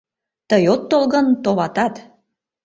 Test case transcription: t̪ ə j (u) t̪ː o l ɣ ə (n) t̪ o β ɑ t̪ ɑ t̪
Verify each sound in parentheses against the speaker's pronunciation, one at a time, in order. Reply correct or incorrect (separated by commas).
incorrect, correct